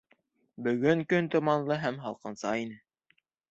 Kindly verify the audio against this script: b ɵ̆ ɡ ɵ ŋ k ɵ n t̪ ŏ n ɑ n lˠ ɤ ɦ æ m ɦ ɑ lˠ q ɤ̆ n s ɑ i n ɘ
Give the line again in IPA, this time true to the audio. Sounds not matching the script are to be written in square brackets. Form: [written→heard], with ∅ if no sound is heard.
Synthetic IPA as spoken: b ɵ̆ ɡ ɵ ŋ k ɵ n t̪ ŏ [n→m] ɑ n lˠ ɤ ɦ æ m ɦ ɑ lˠ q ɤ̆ n s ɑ i n ɘ